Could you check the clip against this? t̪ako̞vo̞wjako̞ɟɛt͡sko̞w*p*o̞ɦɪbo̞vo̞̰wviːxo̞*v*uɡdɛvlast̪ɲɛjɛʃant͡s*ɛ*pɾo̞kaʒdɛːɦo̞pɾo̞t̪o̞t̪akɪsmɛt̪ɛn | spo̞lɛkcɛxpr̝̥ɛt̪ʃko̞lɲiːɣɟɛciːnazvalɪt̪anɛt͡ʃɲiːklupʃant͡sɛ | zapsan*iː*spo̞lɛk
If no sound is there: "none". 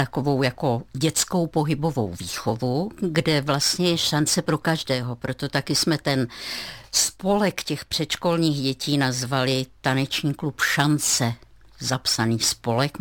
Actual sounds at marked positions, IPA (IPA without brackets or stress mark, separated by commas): p, v, ɛ, iː